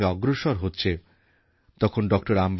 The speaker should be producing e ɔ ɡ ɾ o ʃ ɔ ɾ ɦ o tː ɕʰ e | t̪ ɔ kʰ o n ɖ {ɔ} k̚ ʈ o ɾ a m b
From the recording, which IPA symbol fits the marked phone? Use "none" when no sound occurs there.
ɔ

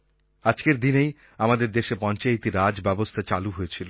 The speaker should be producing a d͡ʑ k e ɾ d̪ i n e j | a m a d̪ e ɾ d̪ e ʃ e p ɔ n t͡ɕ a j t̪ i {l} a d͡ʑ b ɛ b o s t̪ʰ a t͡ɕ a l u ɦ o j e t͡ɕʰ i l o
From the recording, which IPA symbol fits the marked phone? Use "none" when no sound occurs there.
ɾ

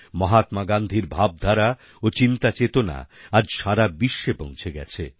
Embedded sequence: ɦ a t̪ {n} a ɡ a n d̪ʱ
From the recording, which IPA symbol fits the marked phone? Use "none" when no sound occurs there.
m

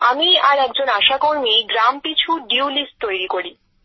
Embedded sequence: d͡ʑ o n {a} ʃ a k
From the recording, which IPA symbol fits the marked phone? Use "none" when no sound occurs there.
a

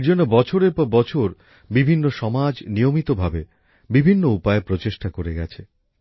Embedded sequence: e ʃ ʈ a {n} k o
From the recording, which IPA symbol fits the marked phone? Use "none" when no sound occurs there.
none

